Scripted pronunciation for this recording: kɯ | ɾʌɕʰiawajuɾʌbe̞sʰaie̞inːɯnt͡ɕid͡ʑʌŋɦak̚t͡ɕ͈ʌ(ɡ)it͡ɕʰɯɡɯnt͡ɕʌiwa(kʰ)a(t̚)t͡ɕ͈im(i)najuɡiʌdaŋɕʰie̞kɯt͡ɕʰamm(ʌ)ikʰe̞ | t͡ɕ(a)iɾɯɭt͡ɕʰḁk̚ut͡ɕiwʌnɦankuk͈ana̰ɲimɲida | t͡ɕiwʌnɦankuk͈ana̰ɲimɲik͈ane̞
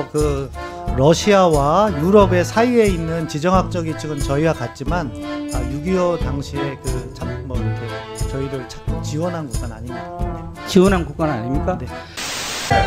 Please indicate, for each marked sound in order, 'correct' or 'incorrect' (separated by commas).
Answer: correct, incorrect, correct, incorrect, correct, incorrect